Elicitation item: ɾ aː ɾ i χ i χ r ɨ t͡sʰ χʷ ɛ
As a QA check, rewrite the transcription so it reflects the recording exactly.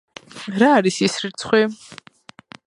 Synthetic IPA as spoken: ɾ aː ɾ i s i s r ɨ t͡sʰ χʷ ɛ